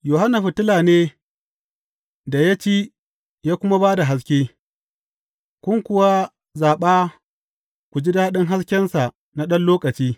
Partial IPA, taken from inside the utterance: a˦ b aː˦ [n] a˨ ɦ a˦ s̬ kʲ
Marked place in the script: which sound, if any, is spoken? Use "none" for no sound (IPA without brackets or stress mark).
d